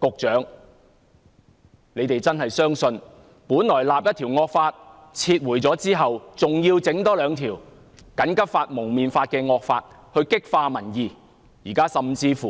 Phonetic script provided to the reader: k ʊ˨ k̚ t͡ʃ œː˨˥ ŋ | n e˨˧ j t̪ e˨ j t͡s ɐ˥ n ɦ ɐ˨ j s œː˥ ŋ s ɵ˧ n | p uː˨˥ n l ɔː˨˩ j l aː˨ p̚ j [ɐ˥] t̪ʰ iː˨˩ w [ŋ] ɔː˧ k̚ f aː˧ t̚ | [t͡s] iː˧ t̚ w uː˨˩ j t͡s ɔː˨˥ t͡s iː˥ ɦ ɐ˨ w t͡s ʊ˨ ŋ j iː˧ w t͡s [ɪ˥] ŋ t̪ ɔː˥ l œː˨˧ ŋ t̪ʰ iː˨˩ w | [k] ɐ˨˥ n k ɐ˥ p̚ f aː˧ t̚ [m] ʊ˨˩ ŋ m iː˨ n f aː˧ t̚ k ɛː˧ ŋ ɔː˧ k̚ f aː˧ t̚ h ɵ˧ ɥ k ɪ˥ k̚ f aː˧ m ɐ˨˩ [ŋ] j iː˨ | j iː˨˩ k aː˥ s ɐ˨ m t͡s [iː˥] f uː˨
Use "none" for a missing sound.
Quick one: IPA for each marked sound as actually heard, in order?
ɐ˥, ŋ, t͡sʰ, ɪ˨˥, k, m, n, iː˧

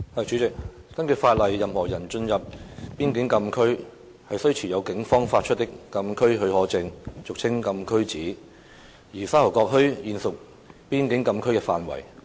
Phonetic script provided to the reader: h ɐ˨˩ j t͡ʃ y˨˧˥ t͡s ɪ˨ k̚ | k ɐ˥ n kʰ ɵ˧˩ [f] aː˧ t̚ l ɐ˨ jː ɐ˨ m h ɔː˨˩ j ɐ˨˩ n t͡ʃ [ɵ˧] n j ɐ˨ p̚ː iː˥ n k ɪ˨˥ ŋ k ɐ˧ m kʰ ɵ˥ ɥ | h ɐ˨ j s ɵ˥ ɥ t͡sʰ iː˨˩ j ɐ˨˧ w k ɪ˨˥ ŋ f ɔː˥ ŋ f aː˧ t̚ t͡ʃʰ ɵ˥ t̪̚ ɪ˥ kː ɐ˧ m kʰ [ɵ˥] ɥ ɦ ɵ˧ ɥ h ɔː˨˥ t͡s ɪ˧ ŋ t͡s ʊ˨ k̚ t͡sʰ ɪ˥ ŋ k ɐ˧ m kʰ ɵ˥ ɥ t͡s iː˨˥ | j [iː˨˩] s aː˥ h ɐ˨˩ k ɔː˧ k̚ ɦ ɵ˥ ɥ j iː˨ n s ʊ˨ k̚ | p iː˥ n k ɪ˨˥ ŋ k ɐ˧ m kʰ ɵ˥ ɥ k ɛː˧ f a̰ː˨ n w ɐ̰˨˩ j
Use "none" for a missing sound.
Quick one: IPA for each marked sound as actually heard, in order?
f, ɵ˧, ɵ˥, iː˨˩

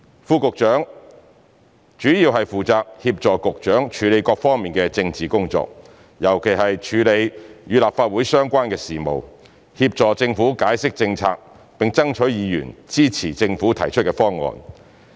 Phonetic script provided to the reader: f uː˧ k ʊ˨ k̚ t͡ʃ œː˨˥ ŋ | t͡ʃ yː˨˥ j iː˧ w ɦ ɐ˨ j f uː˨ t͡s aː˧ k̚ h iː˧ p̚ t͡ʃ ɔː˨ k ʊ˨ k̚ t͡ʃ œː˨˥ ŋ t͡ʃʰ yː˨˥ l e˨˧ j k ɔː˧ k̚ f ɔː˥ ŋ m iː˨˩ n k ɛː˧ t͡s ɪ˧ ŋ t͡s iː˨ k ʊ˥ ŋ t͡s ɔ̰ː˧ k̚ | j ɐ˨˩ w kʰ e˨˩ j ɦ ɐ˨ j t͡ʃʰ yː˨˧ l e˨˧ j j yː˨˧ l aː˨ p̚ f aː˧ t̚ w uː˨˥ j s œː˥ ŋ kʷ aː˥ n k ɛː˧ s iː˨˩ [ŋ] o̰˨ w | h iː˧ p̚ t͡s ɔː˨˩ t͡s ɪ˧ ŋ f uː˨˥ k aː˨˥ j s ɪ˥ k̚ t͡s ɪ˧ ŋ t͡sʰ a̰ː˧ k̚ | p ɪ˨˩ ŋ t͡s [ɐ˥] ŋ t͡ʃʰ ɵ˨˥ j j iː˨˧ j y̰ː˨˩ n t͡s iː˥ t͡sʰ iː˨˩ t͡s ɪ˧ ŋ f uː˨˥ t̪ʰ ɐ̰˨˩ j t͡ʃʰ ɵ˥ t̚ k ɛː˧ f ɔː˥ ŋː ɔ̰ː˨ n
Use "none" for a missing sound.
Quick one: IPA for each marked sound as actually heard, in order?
m, ɐ˥

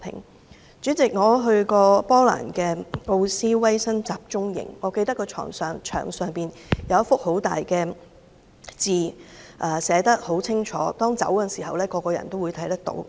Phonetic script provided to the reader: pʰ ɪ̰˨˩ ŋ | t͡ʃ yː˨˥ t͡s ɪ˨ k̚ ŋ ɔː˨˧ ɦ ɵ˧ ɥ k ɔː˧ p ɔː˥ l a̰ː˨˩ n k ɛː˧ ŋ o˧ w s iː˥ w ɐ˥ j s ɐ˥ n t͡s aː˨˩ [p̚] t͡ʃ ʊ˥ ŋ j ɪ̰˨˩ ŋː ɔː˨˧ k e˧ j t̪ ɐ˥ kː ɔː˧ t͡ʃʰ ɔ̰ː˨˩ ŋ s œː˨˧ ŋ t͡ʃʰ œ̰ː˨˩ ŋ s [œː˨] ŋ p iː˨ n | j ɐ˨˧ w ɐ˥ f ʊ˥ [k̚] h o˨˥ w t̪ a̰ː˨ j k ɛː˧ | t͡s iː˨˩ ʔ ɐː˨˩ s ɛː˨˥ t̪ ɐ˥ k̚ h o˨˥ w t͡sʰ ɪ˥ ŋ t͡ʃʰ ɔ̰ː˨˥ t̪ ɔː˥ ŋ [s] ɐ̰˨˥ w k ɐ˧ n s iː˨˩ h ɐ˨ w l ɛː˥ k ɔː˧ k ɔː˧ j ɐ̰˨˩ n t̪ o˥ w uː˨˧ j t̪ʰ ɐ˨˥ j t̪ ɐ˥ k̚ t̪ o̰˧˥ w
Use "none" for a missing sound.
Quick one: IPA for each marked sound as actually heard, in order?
p̚, œː˨, k̚, t͡s

